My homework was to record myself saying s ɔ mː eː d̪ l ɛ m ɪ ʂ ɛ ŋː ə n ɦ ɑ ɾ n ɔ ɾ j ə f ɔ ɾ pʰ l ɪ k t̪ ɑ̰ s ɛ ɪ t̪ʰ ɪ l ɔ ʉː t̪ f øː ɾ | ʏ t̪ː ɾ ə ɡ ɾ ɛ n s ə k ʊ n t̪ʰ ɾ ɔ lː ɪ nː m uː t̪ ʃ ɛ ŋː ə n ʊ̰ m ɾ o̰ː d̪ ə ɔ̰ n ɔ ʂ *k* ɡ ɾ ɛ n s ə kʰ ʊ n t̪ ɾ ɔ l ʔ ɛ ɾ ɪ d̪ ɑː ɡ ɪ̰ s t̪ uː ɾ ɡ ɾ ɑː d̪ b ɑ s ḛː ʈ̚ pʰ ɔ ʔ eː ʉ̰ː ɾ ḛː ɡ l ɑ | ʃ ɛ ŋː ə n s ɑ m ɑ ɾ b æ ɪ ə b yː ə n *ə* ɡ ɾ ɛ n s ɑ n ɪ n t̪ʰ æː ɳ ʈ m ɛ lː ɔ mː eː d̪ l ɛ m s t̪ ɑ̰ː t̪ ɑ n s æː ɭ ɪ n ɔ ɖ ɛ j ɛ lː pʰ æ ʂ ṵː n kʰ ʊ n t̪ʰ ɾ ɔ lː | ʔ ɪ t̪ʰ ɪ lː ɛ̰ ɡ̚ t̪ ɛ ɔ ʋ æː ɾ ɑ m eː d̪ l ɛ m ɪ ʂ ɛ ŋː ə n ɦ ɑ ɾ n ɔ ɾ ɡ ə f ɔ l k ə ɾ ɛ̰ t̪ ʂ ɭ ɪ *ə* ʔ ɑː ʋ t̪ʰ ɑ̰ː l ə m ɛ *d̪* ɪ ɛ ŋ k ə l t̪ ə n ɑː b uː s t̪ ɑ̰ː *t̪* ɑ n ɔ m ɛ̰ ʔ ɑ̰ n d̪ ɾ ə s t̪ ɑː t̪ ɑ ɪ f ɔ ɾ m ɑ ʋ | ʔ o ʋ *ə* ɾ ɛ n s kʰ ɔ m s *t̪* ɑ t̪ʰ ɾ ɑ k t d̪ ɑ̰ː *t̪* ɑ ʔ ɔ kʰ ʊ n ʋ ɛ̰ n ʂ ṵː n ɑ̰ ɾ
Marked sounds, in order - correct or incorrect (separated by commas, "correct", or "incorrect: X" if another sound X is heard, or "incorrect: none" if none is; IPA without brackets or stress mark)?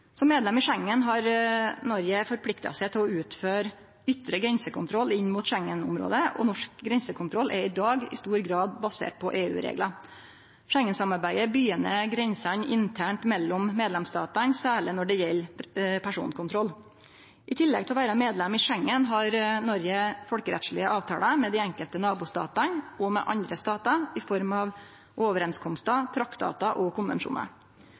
correct, correct, correct, correct, correct, correct, correct, correct